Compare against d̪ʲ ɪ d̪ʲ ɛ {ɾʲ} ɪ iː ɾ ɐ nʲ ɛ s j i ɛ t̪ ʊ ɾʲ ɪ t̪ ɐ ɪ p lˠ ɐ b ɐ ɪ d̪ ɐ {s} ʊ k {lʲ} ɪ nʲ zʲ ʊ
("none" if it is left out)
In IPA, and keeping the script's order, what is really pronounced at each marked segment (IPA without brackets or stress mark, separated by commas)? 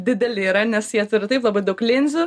lʲ, none, lʲ